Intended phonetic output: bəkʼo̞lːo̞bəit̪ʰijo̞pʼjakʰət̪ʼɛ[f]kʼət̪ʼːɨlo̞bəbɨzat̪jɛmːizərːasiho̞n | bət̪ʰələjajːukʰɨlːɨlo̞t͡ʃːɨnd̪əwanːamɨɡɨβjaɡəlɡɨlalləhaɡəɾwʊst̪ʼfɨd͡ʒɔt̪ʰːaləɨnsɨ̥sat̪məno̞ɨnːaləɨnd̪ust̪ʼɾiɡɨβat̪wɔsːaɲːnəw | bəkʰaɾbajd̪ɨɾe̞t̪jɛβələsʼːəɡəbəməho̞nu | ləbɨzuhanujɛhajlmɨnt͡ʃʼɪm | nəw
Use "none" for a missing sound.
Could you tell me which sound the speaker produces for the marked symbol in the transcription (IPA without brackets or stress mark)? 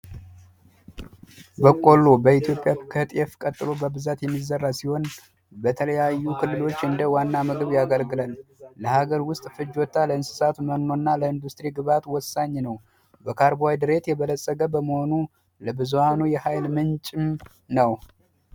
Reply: f